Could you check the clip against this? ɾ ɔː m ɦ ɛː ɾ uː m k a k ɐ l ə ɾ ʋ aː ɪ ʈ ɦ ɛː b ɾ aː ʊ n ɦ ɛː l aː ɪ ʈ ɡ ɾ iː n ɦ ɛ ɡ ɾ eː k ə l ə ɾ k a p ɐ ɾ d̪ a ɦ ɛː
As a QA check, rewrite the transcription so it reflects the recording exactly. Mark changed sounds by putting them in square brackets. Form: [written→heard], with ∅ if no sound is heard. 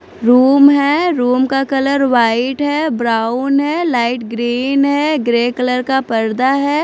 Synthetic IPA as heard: ɾ [ɔː→uː] m ɦ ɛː ɾ uː m k a k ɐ l ə ɾ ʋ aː ɪ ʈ ɦ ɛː b ɾ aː ʊ n ɦ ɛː l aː ɪ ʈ ɡ ɾ iː n ɦ ɛ ɡ ɾ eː k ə l ə ɾ k a p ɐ ɾ d̪ a ɦ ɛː